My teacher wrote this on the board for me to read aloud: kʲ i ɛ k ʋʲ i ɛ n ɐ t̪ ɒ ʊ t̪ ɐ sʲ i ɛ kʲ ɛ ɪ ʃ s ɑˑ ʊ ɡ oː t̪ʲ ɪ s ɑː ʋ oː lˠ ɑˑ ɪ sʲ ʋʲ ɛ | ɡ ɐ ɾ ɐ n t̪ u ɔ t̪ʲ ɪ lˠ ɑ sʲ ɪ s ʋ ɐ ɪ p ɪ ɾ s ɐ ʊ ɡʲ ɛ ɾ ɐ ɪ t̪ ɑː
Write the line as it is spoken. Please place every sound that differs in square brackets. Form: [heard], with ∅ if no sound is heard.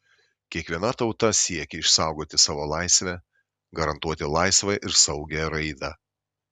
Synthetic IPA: kʲ i ɛ k ʋʲ i ɛ n ɐ t̪ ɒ ʊ t̪ ɐ sʲ i ɛ kʲ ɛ ɪ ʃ s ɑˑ ʊ ɡ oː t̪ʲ ɪ s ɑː ʋ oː lˠ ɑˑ ɪ sʲ ʋʲ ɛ | ɡ ɐ ɾ ɐ n t̪ u ɔ t̪ʲ ɪ lˠ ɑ [∅] ɪ s ʋ ɐ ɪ [ʔ] ɪ ɾ s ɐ ʊ ɡʲ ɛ ɾ ɐ ɪ [d̪] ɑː